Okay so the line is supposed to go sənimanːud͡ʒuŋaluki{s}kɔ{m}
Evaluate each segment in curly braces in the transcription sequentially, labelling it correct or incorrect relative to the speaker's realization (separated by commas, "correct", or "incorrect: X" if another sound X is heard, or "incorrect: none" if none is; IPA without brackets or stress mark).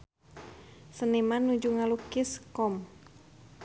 correct, correct